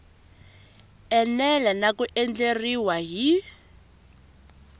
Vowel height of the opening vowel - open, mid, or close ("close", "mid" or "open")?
mid